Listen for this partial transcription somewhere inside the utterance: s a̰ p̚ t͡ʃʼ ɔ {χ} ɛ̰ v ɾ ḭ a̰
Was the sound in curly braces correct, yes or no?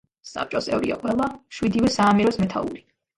no